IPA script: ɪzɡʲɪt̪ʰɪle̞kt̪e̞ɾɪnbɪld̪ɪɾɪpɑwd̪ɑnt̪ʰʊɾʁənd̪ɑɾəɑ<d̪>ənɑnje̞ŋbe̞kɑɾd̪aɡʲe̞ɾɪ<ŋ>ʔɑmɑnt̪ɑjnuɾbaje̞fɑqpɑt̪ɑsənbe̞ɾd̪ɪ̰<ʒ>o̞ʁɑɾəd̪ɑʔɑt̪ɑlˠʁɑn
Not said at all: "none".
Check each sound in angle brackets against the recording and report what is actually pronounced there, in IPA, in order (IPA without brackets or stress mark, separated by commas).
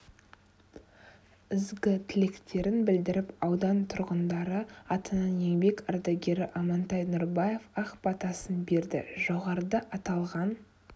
t̪, none, ʒ